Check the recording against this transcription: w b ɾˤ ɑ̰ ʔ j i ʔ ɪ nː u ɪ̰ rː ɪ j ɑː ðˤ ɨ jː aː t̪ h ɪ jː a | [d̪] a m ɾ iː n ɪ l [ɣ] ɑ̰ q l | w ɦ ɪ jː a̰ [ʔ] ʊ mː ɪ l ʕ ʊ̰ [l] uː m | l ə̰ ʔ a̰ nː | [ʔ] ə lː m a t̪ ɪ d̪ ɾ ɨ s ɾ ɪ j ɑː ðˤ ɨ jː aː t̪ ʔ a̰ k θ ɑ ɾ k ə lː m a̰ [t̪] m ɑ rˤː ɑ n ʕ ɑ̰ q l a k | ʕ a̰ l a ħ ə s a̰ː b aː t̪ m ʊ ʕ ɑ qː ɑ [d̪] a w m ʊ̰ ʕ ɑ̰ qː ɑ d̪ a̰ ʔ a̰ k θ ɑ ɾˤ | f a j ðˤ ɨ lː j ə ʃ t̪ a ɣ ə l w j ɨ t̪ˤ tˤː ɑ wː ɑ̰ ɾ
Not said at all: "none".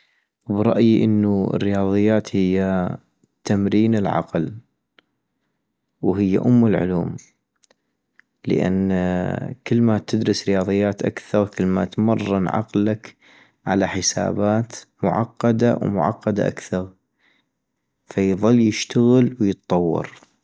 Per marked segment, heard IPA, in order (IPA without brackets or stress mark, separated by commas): t̪, ʕ, ʔ, l, k, t̪, d̪